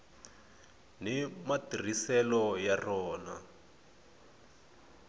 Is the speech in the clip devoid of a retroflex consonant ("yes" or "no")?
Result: yes